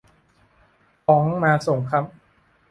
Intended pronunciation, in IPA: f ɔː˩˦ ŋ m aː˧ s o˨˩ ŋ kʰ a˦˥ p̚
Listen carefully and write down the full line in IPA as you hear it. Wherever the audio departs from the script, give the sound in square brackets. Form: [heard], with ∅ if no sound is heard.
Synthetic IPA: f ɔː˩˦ ŋ m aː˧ s o˨˩ ŋ kʰ a˦˥ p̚